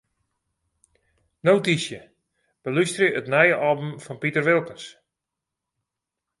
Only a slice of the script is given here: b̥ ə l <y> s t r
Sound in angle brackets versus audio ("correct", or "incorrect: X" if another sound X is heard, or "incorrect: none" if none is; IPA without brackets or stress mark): correct